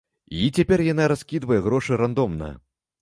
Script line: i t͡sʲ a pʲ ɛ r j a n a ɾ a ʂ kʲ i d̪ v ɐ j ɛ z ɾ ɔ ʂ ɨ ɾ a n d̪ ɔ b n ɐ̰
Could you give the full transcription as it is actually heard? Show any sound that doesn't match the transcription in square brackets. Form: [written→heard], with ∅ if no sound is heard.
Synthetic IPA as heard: i t͡sʲ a pʲ ɛ r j a n a ɾ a [ʂ→s] kʲ i d̪ v ɐ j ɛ [z→ɣ] ɾ ɔ ʂ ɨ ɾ a n d̪ ɔ [b→m] n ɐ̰